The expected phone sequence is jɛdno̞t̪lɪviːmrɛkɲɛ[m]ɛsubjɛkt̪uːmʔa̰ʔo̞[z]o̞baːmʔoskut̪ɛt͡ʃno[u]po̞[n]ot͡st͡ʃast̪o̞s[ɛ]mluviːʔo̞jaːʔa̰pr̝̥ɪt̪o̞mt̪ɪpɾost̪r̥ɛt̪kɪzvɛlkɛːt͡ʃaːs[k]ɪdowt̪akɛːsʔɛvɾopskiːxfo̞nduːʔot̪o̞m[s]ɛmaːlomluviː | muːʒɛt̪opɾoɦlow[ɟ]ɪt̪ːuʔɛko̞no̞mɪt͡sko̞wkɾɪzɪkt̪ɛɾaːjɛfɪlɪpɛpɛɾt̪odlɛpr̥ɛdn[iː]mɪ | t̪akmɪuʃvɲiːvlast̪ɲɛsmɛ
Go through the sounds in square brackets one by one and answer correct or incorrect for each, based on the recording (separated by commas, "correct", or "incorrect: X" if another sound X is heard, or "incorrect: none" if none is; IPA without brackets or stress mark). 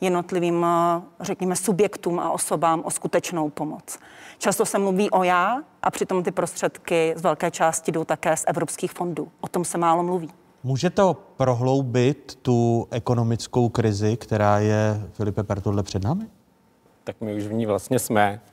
correct, incorrect: s, incorrect: w, incorrect: m, correct, incorrect: c, correct, incorrect: b, incorrect: aː